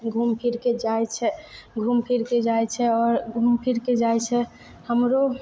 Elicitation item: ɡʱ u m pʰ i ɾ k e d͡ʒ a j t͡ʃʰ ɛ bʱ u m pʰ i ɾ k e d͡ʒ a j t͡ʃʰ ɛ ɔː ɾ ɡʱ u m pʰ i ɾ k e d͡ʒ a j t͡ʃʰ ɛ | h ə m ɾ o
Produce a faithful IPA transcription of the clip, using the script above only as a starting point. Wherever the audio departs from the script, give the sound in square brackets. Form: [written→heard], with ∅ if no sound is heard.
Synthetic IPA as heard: ɡʱ u m pʰ i ɾ k e d͡ʒ a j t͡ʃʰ ɛ [bʱ→ɡʱ] u m pʰ i ɾ k e d͡ʒ a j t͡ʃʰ ɛ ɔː ɾ ɡʱ u m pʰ i ɾ k e d͡ʒ a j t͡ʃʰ ɛ | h ə m ɾ o

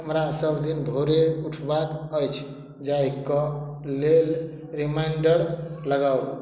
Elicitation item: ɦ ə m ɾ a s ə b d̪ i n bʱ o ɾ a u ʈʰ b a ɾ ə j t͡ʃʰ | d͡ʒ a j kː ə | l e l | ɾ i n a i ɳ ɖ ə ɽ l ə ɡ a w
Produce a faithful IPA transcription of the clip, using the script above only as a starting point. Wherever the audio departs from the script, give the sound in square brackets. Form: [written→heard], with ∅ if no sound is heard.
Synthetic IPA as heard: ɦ ə m ɾ a s ə b d̪ i n bʱ o ɾ [a→e] u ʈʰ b a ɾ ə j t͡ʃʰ | d͡ʒ a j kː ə | l e l | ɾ i [n→m] a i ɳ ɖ ə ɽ l ə ɡ a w

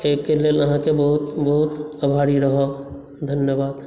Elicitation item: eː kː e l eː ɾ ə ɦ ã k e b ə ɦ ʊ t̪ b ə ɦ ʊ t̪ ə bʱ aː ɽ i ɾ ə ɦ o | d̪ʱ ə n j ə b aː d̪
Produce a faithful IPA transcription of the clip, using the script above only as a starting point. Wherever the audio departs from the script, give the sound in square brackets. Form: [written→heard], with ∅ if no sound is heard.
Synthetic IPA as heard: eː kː e l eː [ɾ→l] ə ɦ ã k e b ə ɦ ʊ t̪ b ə ɦ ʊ t̪ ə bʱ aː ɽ i ɾ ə ɦ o | d̪ʱ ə n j ə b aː d̪

